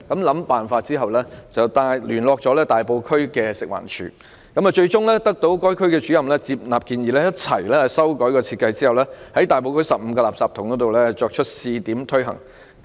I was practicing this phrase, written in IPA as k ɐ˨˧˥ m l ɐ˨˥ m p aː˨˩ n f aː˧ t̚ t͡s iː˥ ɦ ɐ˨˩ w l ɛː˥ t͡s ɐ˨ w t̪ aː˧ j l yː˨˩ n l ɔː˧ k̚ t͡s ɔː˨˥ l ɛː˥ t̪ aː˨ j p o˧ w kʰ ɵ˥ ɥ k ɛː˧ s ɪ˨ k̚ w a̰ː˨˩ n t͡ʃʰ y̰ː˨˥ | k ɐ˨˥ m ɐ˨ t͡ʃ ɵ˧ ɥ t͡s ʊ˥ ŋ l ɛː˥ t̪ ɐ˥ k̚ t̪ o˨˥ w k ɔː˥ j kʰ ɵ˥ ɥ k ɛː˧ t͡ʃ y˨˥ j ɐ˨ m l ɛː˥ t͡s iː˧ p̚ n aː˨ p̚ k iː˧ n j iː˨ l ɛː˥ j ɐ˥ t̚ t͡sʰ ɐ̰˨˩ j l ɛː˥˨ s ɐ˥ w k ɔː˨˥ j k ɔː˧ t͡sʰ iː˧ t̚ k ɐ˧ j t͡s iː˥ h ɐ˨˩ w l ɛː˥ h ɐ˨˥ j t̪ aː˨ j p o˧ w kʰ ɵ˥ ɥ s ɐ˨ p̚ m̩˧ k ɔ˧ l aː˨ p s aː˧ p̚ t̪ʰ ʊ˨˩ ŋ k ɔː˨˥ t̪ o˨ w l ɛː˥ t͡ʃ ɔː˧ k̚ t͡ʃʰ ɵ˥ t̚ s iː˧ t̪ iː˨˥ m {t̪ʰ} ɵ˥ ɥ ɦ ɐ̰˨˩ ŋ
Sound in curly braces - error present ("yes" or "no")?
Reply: no